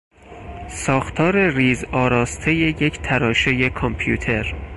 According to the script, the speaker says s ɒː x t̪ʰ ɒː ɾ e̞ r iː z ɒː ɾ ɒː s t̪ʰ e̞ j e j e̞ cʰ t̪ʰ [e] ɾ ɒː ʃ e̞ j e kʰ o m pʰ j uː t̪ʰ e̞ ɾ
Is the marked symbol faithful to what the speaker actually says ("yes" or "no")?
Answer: no